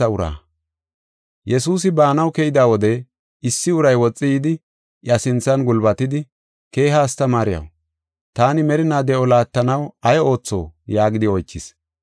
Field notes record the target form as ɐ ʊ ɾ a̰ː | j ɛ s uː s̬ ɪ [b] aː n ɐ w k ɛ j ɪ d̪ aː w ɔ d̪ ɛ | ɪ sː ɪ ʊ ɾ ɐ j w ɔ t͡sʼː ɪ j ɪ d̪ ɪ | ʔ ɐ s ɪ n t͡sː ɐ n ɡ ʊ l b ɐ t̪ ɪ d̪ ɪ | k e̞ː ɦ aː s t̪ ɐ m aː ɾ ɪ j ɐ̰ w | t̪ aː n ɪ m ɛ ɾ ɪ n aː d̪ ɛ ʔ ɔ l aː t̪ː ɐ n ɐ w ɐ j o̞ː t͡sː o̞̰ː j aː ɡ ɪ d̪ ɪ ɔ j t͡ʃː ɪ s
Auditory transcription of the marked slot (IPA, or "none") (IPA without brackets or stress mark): b